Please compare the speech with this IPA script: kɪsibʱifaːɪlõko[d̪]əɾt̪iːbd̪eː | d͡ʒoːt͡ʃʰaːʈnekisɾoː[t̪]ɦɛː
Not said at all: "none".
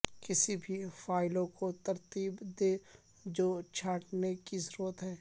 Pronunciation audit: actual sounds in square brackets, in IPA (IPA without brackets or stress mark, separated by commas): t̪, t̪